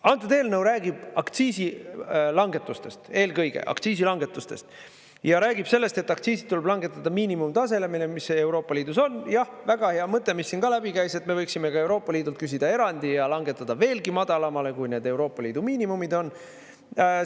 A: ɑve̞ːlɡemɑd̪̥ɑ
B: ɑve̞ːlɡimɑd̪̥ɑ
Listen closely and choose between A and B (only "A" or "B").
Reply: B